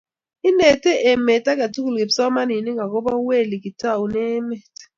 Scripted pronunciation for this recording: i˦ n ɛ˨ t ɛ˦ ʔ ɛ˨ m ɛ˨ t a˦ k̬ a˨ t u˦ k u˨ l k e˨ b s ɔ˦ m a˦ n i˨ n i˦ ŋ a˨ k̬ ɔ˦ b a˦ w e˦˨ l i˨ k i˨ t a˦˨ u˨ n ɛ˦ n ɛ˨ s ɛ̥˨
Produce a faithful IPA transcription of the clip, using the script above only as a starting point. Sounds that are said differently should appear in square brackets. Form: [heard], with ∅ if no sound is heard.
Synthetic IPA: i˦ n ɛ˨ t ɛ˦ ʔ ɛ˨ m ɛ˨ t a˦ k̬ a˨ t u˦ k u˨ l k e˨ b s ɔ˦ m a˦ n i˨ n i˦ ŋ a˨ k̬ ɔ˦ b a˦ w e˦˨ l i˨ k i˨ t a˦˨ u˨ n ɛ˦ [m] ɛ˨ [t] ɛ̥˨